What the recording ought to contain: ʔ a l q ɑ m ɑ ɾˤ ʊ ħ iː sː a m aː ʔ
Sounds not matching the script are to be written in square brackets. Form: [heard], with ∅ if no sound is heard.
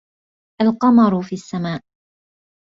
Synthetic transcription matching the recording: ʔ a l q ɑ m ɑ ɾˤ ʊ [f] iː sː a m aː ʔ